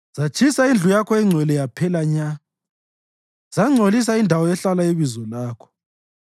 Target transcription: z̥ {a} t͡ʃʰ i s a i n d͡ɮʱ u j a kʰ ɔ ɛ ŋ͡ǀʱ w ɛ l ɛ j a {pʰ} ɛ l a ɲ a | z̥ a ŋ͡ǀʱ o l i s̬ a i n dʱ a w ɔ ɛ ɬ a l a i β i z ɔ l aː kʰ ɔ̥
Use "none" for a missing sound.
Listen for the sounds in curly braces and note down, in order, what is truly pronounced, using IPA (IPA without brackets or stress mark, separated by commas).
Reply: a, pʰ